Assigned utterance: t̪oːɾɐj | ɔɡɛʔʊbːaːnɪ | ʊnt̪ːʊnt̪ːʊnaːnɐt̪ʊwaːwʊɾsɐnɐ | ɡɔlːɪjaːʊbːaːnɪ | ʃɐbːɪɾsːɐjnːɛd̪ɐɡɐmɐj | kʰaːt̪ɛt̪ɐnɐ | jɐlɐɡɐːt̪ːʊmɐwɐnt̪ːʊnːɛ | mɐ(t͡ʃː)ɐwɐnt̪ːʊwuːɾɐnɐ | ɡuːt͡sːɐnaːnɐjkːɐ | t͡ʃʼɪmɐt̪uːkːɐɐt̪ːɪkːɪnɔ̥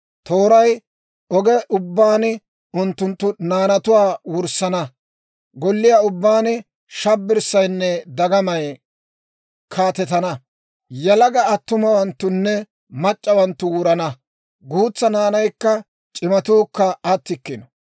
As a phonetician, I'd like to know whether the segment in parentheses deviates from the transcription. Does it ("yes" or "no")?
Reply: yes